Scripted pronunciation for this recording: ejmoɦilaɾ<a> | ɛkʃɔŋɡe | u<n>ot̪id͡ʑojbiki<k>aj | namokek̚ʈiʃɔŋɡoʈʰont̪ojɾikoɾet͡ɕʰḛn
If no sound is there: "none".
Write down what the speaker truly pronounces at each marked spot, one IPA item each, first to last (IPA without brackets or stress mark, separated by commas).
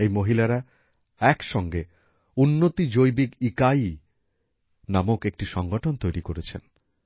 a, nː, k